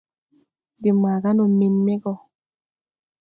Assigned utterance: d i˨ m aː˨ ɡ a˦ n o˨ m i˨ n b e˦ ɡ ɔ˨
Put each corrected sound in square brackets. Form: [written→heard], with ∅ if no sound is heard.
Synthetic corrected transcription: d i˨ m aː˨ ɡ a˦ n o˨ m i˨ n [b→m] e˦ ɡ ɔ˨

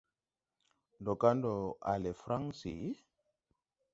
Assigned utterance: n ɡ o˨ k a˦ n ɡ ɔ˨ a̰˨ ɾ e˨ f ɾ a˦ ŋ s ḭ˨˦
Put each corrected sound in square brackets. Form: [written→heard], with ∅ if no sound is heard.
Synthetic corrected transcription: n [ɡ→d] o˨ k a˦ n [ɡ→d] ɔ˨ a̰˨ [ɾ→l] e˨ f ɾ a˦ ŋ s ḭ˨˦

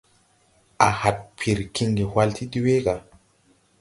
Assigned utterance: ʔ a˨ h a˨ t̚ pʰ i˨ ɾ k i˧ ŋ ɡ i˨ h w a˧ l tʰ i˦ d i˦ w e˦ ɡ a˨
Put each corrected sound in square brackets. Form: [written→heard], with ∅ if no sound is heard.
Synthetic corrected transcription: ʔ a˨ h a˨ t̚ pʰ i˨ ɾ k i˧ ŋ ɡ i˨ h w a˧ l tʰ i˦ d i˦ w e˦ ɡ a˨

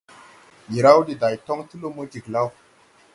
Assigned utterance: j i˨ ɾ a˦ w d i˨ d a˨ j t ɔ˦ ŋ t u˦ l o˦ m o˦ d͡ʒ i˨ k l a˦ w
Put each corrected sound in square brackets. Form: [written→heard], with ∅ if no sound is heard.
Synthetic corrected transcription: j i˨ ɾ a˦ w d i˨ d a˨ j t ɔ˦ ŋ t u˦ l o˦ m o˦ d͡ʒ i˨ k l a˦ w

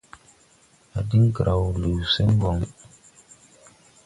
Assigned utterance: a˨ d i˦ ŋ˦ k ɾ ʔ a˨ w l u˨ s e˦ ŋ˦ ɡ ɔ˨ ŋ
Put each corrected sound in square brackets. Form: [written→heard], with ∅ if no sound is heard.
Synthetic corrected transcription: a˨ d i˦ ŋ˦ k ɾ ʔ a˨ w l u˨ s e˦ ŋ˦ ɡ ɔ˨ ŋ

